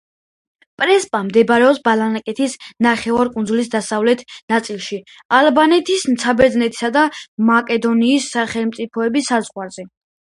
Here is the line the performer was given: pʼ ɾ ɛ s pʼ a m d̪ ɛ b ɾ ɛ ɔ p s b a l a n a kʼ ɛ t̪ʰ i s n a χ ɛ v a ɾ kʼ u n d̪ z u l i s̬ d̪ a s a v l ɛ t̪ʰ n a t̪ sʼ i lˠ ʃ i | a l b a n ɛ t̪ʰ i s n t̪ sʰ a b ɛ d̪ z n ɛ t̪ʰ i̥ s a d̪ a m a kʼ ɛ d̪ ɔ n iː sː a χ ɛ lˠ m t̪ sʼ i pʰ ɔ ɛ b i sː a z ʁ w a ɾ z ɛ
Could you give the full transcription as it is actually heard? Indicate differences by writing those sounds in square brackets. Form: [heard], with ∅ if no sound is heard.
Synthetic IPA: pʼ ɾ ɛ s pʼ a m d̪ ɛ b ɾ ɛ ɔ p s b a l a n a kʼ ɛ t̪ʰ i s n a χ ɛ v a ɾ kʼ u n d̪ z u l i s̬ d̪ a s a v l ɛ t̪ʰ n a t̪ sʼ i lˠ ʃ i | a l b a n ɛ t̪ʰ i s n t̪ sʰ a b ɛ d̪ z n ɛ t̪ʰ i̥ s a d̪ a m a kʼ ɛ d̪ ɔ n iː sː a χ ɛ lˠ m t̪ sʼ i pʰ ɔ ɛ b i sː a z ʁ w a ɾ z ɛ